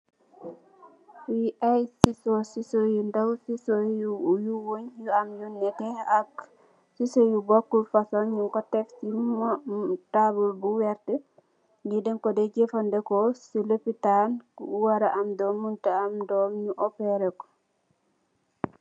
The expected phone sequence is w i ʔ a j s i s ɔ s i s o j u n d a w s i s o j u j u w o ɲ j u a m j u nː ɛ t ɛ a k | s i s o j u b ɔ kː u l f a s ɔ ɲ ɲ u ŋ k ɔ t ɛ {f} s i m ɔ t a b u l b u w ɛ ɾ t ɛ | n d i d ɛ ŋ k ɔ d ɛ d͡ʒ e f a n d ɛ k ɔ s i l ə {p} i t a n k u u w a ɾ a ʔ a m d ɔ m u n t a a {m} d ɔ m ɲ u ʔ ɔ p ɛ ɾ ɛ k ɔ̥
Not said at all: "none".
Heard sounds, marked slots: f, p, m

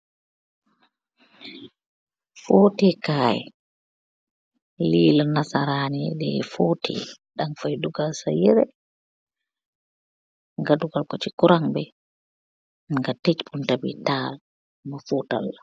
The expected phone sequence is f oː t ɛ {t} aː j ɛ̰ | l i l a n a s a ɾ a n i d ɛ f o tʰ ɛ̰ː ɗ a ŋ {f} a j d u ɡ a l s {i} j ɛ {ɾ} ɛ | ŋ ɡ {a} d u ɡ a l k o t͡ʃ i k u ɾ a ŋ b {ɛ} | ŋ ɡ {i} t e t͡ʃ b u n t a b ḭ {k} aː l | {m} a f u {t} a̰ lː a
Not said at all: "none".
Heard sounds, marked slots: k, f, a, ɾ, a, ɛ, a, t, m, t

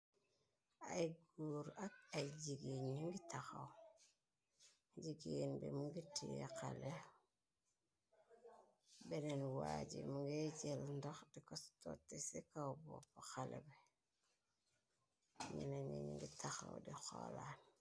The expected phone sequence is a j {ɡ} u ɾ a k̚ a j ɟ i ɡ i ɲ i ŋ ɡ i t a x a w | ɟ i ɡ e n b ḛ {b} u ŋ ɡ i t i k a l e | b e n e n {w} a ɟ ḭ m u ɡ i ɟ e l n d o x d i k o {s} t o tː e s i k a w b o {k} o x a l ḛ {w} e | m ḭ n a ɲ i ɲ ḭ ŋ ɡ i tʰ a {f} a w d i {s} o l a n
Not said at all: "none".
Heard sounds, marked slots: ɡ, m, w, s, p, b, x, x

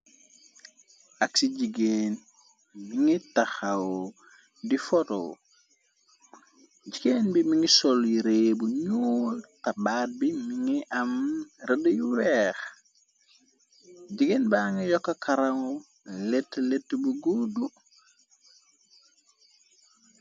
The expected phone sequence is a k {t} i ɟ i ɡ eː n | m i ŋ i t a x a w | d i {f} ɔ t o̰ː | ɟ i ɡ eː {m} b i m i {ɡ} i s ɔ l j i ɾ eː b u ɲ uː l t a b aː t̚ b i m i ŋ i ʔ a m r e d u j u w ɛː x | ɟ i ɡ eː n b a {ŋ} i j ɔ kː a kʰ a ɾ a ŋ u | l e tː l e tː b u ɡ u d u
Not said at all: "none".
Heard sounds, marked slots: s, f, n, ŋ, ŋ

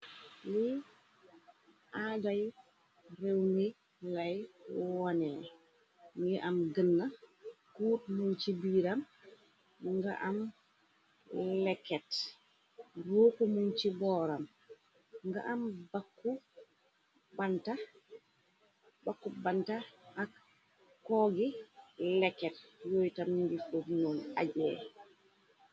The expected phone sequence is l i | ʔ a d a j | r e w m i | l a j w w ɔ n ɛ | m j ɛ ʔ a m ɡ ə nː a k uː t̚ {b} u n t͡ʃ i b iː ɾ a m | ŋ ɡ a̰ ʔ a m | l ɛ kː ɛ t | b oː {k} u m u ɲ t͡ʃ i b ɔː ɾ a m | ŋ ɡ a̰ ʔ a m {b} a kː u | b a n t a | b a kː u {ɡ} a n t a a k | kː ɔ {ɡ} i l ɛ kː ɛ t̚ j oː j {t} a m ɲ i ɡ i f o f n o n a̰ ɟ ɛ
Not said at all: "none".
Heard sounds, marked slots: m, k, b, b, ɡ, t

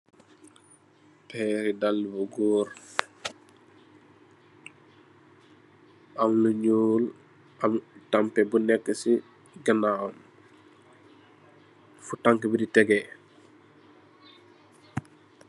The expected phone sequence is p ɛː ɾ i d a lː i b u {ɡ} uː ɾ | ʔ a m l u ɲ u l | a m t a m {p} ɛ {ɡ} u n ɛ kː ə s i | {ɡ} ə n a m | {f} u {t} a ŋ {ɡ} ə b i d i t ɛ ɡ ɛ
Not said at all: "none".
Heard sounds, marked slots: ɡ, p, b, ɡ, f, t, k

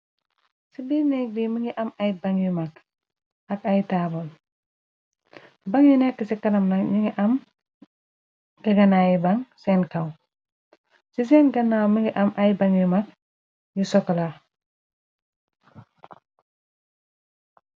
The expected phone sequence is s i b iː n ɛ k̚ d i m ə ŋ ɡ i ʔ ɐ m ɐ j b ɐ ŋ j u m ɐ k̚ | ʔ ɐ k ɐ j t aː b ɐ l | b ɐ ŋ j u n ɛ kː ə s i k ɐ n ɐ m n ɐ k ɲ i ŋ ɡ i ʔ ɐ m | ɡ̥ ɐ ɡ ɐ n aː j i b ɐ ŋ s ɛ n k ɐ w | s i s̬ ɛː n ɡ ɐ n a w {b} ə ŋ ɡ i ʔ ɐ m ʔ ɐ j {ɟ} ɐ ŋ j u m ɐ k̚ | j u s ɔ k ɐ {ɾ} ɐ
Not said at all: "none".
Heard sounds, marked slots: m, b, l

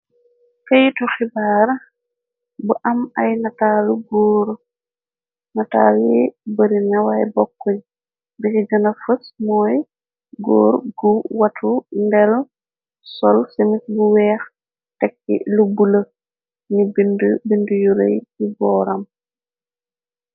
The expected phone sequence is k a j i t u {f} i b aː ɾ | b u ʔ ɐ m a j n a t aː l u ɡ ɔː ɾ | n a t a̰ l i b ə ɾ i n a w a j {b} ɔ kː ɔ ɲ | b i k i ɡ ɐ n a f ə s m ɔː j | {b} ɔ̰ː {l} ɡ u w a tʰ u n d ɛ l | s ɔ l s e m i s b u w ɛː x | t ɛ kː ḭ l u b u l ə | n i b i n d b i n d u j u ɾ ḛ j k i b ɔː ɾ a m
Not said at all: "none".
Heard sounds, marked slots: x, b, ɡ, ɾ

